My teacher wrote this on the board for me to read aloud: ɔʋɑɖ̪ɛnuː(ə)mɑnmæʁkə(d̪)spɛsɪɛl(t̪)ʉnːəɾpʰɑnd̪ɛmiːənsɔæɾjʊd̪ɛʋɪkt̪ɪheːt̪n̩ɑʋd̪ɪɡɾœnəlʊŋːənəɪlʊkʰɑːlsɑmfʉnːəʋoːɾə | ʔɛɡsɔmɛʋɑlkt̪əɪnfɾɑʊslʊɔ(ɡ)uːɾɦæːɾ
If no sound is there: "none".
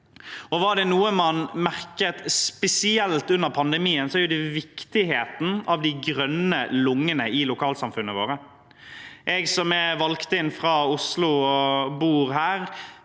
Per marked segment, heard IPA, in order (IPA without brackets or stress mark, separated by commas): ə, t̪, t̪, b